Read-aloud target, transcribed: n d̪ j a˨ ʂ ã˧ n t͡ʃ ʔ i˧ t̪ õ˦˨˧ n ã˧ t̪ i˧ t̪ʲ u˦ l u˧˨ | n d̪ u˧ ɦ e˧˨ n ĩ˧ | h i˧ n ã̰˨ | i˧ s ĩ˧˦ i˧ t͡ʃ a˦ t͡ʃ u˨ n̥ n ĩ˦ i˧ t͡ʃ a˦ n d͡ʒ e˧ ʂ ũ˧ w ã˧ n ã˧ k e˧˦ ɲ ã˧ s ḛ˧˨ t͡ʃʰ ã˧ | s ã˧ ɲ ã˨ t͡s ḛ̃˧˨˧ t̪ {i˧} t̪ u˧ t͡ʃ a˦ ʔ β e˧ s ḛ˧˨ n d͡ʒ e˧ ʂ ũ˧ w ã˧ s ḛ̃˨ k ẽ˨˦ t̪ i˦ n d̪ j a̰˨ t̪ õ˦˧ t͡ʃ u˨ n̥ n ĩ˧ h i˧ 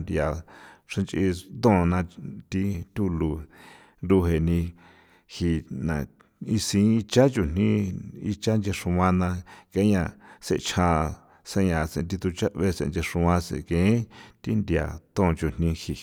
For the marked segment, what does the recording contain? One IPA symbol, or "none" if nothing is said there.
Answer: i˧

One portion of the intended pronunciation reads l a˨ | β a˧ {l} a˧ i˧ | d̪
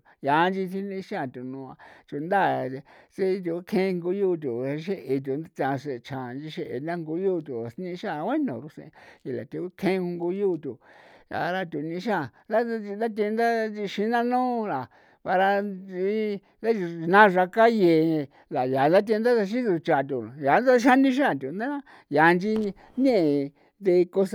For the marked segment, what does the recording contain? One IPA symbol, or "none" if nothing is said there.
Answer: ɾ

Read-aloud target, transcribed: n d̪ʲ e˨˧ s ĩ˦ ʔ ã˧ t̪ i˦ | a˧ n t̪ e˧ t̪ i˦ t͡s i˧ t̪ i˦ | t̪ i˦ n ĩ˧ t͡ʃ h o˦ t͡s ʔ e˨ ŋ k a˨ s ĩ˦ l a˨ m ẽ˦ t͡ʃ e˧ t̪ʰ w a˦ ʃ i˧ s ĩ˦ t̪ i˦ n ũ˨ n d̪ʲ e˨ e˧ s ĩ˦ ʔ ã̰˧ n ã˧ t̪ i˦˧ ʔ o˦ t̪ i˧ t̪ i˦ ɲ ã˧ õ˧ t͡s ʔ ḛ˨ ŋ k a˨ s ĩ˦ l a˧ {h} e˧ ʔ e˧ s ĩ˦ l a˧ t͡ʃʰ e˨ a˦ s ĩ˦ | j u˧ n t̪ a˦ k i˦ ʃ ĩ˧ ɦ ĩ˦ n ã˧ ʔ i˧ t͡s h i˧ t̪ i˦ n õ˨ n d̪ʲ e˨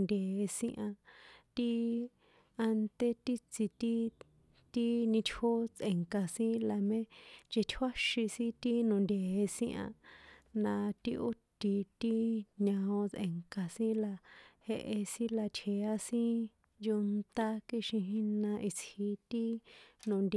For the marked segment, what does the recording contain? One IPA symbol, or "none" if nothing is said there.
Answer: h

